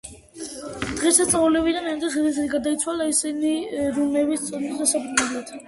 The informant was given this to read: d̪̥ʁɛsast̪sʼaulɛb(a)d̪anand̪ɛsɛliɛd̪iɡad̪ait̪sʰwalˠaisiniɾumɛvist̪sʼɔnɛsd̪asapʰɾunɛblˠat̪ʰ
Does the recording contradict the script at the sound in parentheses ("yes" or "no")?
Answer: yes